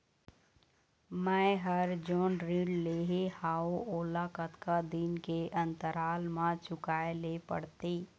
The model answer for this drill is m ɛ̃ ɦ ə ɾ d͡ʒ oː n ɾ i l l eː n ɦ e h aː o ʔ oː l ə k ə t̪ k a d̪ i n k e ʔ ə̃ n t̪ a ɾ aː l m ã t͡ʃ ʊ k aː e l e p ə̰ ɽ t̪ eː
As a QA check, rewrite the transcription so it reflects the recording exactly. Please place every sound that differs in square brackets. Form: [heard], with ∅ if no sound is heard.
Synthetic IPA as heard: m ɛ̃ ɦ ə ɾ d͡ʒ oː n ɾ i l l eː [∅] ɦ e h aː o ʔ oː l [a] k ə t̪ k a d̪ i n k e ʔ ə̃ n t̪ [ə] ɾ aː l m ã t͡ʃ ʊ k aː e l e p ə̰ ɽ t̪ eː